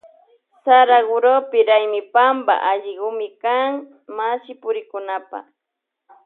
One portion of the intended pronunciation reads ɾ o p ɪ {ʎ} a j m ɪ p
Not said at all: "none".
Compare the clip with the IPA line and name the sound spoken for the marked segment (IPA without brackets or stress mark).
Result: ɾ